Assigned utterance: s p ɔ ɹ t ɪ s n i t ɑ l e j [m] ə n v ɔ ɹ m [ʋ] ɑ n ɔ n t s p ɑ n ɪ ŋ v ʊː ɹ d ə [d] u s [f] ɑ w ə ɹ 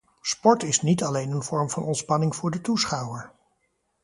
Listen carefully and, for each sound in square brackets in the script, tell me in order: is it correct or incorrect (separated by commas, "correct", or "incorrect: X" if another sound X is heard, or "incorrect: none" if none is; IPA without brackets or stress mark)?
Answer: incorrect: n, incorrect: v, incorrect: t, incorrect: χ